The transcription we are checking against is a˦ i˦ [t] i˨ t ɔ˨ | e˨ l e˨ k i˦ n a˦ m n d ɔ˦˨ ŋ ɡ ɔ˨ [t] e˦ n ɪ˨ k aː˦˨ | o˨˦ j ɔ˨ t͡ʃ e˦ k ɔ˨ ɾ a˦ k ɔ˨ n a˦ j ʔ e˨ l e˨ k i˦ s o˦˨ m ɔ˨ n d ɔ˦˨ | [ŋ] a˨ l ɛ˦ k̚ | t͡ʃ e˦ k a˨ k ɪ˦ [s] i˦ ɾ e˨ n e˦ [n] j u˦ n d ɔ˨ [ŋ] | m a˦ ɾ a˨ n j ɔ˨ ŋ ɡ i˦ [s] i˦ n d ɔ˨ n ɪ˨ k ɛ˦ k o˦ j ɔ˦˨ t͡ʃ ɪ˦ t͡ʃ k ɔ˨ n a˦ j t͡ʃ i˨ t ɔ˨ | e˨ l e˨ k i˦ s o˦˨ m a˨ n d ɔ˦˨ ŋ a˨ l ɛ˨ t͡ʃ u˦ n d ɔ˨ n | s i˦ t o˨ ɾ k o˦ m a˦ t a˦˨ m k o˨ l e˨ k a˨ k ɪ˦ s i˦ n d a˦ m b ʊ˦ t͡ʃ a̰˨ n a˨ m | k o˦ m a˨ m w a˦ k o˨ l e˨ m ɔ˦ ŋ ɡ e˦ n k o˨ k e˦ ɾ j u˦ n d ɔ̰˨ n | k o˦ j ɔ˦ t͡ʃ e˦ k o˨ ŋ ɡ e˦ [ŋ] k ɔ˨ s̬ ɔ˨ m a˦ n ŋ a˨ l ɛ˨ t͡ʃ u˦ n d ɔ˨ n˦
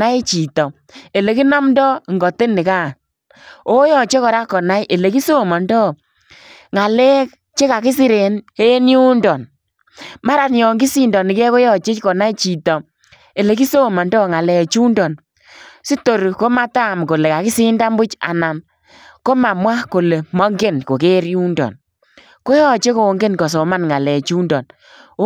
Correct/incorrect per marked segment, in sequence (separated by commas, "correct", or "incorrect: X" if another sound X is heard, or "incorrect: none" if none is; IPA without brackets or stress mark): incorrect: t͡ʃ, correct, correct, correct, correct, incorrect: n, correct, incorrect: n